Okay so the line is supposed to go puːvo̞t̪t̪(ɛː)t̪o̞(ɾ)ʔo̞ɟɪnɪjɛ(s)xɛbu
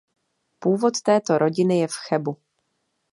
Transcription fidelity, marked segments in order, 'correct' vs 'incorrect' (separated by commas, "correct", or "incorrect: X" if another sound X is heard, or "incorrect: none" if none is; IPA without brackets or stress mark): correct, correct, incorrect: f